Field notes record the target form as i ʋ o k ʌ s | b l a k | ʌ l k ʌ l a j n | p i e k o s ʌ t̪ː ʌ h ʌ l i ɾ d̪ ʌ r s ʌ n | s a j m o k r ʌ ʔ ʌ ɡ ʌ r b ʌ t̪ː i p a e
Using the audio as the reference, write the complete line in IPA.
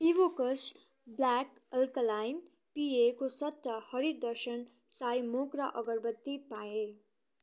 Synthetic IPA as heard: i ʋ o k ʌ s | b l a k | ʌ l k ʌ l a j n | p i e k o s ʌ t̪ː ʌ h ʌ ɾ i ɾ d̪ ʌ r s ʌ n | s a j m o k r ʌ ʔ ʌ ɡ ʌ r b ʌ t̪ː i p a e